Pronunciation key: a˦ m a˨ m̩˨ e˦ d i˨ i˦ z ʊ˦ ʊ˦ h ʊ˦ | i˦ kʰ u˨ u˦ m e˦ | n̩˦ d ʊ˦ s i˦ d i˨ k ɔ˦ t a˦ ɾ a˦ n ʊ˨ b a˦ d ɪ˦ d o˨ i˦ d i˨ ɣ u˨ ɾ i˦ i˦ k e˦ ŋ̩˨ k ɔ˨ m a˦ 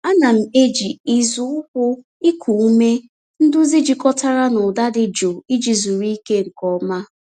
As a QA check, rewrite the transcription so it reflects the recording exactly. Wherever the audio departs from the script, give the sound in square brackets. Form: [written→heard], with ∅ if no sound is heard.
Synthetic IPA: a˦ [m→n] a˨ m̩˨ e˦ [d→d͡ʒ] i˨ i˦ z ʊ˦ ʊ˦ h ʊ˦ | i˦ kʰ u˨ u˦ m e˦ | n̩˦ d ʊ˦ [s→z] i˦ [d→d͡ʒ] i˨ k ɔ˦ t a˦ ɾ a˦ n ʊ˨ [b→d] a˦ d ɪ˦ [d→d͡ʒ] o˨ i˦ [d→d͡ʒ] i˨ [ɣ→z] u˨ ɾ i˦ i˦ k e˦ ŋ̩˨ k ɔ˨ m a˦